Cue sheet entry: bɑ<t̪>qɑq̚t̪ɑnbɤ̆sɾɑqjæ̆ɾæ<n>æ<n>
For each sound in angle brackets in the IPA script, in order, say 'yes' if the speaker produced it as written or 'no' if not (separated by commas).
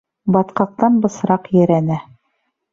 yes, yes, no